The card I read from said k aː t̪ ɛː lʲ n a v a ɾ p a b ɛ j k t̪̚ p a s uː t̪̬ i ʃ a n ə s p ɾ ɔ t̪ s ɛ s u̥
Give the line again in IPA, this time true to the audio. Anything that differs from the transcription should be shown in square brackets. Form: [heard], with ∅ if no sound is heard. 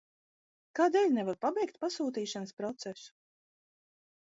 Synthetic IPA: k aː [d̪] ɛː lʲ n [ɛ] v a ɾ p a b ɛ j k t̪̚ p a s uː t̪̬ [iː] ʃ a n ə s p ɾ ɔ t̪ s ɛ s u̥